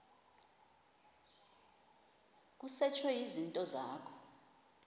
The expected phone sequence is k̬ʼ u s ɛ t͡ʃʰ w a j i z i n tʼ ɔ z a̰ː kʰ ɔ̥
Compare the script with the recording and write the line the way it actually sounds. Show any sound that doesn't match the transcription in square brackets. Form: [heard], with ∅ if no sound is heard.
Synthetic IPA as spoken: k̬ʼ u s ɛ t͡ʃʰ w [ɛ] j i z i n tʼ ɔ z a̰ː kʰ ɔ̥